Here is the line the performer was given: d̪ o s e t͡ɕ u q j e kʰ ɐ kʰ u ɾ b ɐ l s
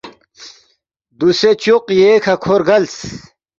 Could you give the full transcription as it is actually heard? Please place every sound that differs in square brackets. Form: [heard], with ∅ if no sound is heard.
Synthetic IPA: d̪ [u] s e t͡ɕ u q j e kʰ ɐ kʰ [o] ɾ [ɡ] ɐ l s